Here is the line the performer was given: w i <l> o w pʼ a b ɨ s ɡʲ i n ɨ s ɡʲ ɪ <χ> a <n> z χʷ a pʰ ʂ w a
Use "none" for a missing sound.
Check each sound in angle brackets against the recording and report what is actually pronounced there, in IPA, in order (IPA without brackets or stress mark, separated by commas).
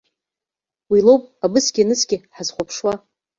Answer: l, ħ, none